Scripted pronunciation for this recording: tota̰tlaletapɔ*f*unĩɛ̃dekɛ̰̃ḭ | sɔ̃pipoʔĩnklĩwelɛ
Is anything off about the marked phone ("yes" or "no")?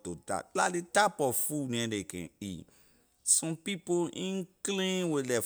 no